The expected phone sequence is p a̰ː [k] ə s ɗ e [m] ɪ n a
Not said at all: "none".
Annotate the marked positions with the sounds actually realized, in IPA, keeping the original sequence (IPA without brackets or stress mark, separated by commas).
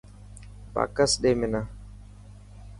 k, m